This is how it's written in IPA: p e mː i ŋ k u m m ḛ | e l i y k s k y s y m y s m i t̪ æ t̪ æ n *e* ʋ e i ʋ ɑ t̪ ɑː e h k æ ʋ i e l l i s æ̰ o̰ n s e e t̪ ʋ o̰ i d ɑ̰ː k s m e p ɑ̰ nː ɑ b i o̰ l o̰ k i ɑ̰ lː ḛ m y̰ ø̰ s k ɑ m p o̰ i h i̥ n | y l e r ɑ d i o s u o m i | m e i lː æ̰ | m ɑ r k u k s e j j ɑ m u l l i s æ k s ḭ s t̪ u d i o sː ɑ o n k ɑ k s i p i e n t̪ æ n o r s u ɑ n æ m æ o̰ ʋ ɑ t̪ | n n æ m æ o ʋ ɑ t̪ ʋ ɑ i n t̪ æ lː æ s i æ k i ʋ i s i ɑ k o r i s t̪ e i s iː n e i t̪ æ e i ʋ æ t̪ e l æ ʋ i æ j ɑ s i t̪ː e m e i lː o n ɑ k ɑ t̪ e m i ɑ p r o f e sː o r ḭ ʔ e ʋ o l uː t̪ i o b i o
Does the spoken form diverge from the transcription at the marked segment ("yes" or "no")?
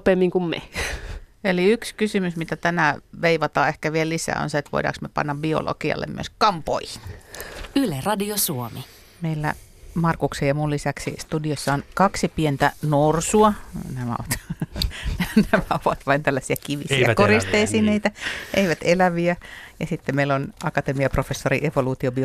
yes